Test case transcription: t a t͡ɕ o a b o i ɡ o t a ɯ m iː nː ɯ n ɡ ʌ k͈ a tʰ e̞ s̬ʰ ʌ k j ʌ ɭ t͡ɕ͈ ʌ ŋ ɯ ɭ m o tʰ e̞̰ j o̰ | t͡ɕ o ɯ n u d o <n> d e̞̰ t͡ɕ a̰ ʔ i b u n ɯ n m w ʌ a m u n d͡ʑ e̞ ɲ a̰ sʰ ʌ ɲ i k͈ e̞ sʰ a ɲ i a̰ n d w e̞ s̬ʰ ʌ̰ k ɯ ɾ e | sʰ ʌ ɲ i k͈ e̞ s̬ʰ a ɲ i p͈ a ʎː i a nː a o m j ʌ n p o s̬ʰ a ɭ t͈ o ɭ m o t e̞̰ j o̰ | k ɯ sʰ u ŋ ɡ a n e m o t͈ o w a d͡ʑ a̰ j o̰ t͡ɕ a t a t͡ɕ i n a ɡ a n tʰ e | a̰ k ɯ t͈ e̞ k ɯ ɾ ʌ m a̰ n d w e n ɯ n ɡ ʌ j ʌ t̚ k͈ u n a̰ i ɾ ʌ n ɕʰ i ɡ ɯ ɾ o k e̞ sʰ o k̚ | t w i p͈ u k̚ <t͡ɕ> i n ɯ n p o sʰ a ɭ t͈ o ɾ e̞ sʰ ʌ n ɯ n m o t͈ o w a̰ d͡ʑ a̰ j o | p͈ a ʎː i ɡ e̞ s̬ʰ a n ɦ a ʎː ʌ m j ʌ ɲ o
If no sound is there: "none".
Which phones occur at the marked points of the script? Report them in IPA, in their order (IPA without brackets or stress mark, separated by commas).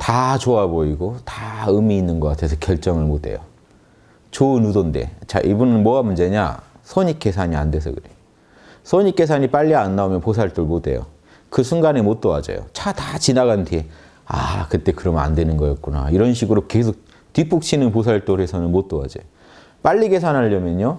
n, t͡ɕʰ